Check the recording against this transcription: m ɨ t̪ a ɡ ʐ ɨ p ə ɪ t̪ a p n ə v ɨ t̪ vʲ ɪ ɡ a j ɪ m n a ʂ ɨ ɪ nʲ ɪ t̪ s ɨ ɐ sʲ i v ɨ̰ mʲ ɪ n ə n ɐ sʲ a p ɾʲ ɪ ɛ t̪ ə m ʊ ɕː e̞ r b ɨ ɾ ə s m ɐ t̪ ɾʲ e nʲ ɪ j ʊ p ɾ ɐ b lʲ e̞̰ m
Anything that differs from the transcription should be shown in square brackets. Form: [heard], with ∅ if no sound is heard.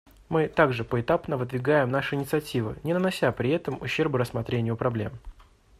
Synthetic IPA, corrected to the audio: m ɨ t̪ a ɡ ʐ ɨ p ə ɪ t̪ a p n ə v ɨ [d̪] vʲ ɪ ɡ a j ɪ m n a ʂ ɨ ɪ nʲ ɪ t̪ s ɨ ɐ [tʲ] i v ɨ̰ [nʲ] ɪ n ə n ɐ sʲ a p ɾʲ ɪ ɛ t̪ ə m ʊ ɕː e̞ r b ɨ ɾ ə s m ɐ t̪ ɾʲ e nʲ ɪ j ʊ p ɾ ɐ b lʲ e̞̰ m